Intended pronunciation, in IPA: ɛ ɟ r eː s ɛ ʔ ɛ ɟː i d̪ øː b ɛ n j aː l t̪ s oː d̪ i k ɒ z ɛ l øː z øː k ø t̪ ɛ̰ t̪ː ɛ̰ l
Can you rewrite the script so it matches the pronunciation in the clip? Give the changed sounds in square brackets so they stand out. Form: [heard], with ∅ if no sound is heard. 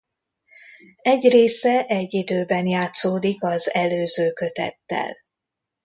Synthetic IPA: ɛ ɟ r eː s ɛ ʔ ɛ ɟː i d̪ øː b ɛ n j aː [∅] t̪ s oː d̪ i k ɒ z ɛ l øː z øː k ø t̪ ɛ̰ t̪ː ɛ̰ l